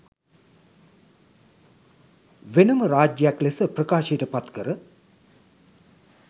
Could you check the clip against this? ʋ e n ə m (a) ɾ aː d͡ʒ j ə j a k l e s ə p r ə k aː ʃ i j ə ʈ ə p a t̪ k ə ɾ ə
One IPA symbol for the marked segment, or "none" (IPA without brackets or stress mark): ə